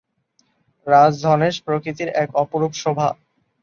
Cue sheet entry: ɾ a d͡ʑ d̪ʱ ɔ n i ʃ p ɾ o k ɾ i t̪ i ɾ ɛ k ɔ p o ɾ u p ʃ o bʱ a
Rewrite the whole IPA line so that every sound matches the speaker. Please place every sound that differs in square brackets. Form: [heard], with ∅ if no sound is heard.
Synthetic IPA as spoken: ɾ a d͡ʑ d̪ʱ ɔ n [e] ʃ p ɾ o k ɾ i t̪ i ɾ ɛ k ɔ p o ɾ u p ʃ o bʱ a